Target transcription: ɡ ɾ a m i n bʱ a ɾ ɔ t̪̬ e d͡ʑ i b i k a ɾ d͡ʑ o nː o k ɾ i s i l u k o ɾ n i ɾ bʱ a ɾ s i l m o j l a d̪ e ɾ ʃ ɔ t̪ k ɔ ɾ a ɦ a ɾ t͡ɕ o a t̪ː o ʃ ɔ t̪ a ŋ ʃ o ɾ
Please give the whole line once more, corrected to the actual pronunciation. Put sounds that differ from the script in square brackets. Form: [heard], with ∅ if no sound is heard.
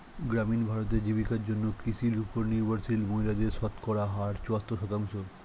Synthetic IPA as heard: ɡ ɾ a m i n bʱ a ɾ [o] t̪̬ e d͡ʑ i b i k a ɾ d͡ʑ o nː o k ɾ i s i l u [p] o ɾ n i ɾ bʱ a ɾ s i l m o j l a d̪ e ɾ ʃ ɔ t̪ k ɔ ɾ a ɦ a ɾ t͡ɕ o a t̪ː o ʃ ɔ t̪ a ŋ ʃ o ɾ